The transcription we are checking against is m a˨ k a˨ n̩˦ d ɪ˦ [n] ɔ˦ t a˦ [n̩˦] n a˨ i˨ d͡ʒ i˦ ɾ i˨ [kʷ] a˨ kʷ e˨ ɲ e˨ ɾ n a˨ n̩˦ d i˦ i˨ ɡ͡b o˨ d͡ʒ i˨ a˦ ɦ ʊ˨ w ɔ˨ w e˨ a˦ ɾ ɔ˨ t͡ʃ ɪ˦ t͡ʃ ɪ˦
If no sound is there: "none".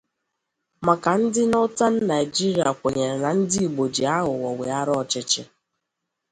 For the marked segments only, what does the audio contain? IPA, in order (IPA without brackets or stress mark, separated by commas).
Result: n, n̩˦, none